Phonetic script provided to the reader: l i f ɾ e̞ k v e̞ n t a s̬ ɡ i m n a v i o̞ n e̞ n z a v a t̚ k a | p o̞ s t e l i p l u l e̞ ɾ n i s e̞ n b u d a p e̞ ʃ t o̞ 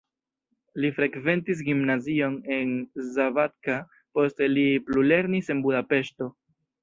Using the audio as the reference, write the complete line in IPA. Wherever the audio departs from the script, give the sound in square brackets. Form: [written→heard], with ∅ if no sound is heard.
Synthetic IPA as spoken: l i f ɾ e̞ k v e̞ n t [a→i] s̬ ɡ i m n a [v→z] i o̞ n e̞ n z a v a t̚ k a | p o̞ s t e l i p l u l e̞ ɾ n i s e̞ n b u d a p e̞ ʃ t o̞